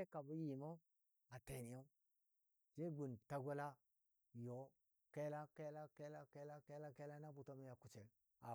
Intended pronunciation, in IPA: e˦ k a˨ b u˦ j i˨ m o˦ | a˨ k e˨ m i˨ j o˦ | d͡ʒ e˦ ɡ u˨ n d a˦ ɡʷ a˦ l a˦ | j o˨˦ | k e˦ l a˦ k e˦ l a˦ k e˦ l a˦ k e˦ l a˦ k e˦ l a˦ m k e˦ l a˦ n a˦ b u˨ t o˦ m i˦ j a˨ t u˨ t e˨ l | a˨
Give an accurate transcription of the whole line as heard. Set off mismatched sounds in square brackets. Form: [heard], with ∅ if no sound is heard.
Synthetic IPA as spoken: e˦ k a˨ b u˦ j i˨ m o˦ | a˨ [t] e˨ [n] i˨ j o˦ | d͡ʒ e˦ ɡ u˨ n [t] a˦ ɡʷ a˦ l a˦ | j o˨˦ | k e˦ l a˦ k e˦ l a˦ k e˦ l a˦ k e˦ l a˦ k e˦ l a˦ [∅] k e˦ l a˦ n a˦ b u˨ t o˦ m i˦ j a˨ [k] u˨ [t͡ʃ] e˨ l | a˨